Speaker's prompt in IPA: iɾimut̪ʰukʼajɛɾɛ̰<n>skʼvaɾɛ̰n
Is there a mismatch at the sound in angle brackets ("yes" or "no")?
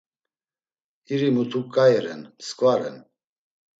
no